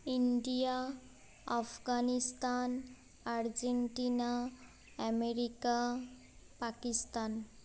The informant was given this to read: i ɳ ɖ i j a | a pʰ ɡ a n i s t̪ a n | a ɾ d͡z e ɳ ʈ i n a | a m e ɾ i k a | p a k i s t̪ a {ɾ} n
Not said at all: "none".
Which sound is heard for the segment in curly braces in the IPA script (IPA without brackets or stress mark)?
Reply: none